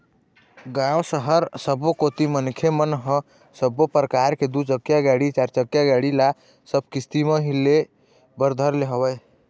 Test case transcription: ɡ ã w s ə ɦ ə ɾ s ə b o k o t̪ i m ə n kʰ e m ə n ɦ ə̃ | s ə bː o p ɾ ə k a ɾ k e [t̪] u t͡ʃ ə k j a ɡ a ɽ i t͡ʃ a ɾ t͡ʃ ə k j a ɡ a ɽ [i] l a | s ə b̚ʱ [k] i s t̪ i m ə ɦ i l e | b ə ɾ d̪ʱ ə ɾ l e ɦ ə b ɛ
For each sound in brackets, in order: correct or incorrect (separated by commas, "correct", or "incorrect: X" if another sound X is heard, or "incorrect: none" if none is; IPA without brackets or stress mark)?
incorrect: d̪, correct, correct